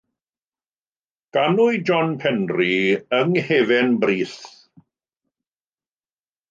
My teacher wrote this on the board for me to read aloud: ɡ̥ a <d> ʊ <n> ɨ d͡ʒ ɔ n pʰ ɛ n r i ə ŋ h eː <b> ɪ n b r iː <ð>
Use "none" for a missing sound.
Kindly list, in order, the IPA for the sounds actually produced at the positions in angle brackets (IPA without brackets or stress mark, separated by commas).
n, none, v, θ